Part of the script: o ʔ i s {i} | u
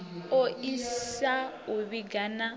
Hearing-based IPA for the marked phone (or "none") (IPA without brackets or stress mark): a